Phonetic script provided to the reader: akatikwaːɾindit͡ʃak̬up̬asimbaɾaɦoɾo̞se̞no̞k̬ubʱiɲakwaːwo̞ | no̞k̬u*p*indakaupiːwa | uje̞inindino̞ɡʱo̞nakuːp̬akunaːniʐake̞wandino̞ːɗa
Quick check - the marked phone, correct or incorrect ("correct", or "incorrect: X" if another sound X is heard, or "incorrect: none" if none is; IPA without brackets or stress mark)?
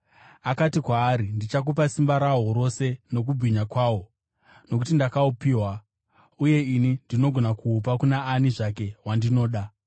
incorrect: t